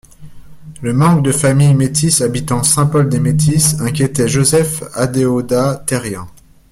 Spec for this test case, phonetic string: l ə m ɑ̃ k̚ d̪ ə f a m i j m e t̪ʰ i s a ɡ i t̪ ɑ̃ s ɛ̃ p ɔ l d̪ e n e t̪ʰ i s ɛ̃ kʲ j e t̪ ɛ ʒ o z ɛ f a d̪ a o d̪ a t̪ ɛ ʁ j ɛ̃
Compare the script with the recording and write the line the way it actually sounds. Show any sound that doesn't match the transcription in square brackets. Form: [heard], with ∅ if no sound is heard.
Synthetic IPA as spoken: l ə m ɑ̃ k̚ d̪ ə f a m i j m e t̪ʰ i s a [b] i t̪ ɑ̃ s ɛ̃ p ɔ l d̪ e [m] e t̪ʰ i s ɛ̃ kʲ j e t̪ ɛ ʒ o z ɛ f a d̪ [e] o d̪ a t̪ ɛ ʁ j ɛ̃